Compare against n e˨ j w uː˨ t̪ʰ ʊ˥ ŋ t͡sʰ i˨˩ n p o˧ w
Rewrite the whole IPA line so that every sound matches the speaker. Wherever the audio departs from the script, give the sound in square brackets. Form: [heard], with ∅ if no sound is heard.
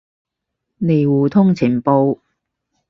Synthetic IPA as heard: n e˨ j w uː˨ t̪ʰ ʊ˥ ŋ t͡sʰ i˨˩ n p o˧ w